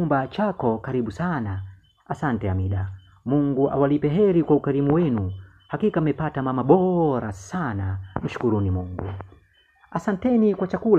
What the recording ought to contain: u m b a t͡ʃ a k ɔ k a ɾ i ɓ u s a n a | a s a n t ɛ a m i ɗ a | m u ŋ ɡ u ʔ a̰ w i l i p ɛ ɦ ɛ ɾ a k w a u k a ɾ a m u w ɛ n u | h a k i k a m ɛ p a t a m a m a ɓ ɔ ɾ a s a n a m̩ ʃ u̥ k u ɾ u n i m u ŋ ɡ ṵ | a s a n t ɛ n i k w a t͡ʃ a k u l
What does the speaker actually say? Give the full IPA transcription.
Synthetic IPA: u m b a t͡ʃ a k ɔ k a ɾ i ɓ u s a n a | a s a n t ɛ a m i ɗ a | m u ŋ ɡ u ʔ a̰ w a l i p ɛ ɦ ɛ ɾ i k w a u k a ɾ i m u w ɛ n u | h a k i k a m ɛ p a t a m a m a ɓ ɔ ɾ a s a n a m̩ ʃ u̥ k u ɾ u n i m u ŋ ɡ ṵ | a s a n t ɛ n i k w a t͡ʃ a k u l